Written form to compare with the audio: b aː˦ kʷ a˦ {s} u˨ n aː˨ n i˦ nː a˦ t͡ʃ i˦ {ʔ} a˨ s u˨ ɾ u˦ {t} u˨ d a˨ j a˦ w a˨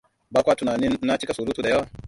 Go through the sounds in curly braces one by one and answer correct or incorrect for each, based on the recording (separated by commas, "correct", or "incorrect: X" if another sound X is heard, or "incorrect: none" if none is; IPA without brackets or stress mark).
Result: incorrect: t, incorrect: k, correct